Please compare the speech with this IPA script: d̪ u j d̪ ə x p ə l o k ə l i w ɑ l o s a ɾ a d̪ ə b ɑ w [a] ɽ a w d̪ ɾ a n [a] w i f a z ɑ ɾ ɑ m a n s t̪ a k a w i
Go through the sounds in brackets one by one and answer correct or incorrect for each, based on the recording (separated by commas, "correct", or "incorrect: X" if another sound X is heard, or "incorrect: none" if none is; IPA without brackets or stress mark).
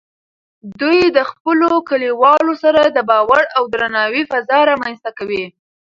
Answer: correct, incorrect: ɑ